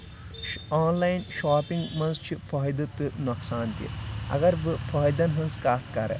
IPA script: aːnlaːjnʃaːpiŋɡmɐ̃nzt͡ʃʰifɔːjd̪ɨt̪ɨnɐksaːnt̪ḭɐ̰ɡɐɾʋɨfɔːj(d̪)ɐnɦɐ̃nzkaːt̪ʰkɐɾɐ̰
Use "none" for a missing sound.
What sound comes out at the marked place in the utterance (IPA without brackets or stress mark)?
d̪